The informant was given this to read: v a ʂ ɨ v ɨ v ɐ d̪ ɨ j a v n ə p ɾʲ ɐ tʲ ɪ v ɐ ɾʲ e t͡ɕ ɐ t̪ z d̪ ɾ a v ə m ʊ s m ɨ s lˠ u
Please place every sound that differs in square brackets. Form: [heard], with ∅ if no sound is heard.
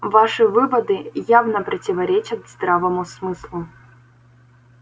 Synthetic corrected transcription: v a ʂ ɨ v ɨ v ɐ d̪ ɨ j a v n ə p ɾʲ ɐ tʲ ɪ v ɐ ɾʲ e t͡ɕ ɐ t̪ z d̪ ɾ a v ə m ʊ s m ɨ s lˠ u